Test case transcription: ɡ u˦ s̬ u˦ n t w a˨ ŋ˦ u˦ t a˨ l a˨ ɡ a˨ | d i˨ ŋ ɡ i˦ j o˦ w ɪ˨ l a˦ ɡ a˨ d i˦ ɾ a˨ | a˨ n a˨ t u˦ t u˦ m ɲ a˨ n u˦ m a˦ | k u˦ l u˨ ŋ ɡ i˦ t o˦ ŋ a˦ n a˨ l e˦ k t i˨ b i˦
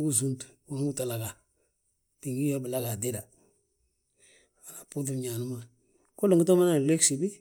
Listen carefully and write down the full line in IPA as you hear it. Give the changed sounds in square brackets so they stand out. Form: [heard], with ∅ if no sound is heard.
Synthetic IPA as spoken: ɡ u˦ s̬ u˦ n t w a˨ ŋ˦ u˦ t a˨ l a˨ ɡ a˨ | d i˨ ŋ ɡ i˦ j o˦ [b] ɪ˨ l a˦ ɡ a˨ d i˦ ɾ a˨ | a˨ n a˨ [p] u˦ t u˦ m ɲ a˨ n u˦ m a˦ | k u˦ l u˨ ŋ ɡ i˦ t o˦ [m] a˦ n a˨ l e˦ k [s] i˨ b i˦

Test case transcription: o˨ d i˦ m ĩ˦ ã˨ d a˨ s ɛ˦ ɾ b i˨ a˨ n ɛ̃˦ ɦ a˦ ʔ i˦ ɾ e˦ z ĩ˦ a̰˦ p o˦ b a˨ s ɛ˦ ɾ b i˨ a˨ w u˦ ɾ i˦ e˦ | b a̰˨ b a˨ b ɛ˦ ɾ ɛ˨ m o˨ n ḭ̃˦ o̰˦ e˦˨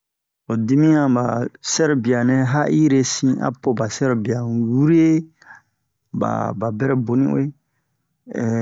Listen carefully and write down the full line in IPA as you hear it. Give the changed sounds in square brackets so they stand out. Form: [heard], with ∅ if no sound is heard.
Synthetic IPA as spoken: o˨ d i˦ m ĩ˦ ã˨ [b] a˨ s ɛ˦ ɾ b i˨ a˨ n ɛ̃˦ ɦ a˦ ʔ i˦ ɾ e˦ [s] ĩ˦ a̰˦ p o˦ b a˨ s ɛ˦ ɾ b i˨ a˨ w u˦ ɾ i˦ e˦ | b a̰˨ b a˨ b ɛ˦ ɾ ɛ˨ [b] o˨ n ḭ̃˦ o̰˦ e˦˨

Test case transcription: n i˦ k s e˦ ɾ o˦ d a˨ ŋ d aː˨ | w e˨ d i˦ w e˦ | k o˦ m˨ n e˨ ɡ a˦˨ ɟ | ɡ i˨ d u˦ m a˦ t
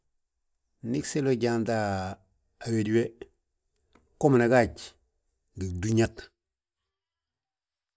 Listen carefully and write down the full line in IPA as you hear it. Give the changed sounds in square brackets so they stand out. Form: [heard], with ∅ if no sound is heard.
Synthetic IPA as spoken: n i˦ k s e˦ [l] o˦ [ɟ] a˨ [n] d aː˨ | w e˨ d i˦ w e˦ | k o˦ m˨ n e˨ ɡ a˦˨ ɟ | ɡ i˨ d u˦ [ɲ] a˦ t

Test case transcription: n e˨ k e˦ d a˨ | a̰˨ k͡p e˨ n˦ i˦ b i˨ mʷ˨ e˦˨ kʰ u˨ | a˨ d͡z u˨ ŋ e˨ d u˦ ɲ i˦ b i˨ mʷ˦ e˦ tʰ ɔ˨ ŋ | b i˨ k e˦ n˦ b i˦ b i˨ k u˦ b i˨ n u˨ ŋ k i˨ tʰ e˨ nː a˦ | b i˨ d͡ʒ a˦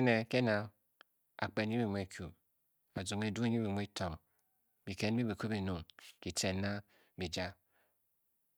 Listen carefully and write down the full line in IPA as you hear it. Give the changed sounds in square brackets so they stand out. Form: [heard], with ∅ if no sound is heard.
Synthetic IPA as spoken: n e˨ k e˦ [n] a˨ | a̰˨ k͡p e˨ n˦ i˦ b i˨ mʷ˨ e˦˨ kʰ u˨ | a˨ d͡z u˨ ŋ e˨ d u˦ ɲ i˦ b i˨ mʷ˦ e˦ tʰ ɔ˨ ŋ | b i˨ k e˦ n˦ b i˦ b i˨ k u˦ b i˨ n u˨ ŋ k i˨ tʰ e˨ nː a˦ | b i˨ d͡ʒ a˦

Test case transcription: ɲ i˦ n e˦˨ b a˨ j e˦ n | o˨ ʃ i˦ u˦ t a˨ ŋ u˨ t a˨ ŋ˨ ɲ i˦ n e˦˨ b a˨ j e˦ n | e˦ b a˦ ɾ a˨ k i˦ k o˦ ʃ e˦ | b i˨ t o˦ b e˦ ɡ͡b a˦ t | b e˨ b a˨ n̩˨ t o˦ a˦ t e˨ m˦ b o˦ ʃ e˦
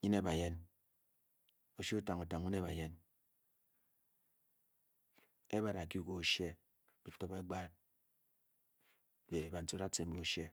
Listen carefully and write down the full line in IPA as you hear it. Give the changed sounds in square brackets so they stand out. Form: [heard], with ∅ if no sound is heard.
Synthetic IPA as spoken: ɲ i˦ n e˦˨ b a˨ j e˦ n | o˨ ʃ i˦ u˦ t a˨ ŋ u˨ t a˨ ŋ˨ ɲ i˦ n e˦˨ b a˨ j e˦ n | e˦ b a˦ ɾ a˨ k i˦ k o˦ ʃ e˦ | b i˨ t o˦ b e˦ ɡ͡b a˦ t | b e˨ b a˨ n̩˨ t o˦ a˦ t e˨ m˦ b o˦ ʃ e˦

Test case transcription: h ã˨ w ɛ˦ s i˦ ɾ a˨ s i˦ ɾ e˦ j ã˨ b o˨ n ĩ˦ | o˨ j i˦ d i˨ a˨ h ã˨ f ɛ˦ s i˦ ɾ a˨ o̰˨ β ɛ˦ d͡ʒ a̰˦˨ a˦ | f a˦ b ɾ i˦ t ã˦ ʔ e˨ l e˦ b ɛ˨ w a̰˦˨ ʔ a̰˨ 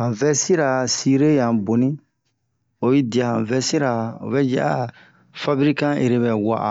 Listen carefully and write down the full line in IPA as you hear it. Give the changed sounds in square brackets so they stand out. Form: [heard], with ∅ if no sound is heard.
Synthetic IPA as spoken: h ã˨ [v] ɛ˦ s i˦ ɾ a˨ s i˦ ɾ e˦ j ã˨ b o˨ n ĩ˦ | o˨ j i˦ d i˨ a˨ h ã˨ [v] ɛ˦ s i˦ ɾ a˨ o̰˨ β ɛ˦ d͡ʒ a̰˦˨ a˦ | f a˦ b ɾ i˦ [k] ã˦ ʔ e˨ [ɾ] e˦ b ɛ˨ w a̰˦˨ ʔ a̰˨

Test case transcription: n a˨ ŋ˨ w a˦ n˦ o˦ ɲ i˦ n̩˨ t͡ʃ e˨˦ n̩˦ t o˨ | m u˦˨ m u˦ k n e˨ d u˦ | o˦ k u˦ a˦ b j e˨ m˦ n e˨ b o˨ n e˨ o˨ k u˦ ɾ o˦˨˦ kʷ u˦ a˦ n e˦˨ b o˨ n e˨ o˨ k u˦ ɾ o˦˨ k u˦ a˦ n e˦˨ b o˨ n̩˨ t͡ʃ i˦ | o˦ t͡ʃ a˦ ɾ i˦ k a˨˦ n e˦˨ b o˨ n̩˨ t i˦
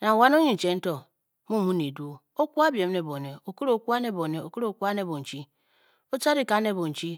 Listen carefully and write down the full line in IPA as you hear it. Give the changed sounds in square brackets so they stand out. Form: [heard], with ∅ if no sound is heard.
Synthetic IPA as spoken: n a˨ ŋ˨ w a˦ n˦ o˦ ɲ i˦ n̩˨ t͡ʃ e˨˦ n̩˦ t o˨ | m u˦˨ m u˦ [∅] n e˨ d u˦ | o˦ k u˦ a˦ b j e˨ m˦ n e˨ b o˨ n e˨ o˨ k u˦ ɾ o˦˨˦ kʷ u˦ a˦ n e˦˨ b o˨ n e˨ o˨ k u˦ ɾ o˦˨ k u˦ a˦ n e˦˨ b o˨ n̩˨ t͡ʃ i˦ | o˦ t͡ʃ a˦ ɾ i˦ k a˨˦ n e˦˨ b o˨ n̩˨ [t͡ʃ] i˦

